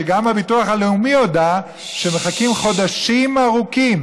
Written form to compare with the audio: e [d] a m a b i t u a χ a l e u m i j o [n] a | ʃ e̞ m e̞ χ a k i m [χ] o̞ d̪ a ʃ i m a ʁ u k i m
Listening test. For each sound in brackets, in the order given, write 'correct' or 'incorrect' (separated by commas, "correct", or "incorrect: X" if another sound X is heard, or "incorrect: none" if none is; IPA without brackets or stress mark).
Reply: incorrect: ɡ, incorrect: d, correct